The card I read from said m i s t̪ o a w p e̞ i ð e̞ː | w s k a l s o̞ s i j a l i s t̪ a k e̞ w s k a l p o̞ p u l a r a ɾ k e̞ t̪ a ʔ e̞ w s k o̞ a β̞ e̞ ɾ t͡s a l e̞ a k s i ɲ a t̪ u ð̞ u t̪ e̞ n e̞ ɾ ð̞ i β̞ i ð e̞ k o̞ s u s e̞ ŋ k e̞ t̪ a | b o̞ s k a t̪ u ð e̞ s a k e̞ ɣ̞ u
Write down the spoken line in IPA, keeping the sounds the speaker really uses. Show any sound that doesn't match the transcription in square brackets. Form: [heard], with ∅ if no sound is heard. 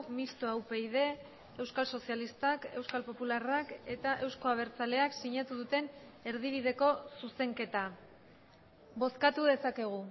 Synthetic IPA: m i s t̪ o a w p e̞ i ð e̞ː | w s k a l s o̞ s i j a l i s t̪ a k e̞ w s k a l p o̞ p u l a r a [∅] k e̞ t̪ a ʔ e̞ w s k o̞ a β̞ e̞ ɾ t͡s a l e̞ a k s i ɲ a t̪ u ð̞ u t̪ e̞ n e̞ ɾ ð̞ i β̞ i ð e̞ k o̞ s u s e̞ ŋ k e̞ t̪ a | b o̞ s k a t̪ u ð e̞ s a k e̞ ɣ̞ u